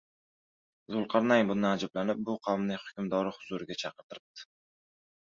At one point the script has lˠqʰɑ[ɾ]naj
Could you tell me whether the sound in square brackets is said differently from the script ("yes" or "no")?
no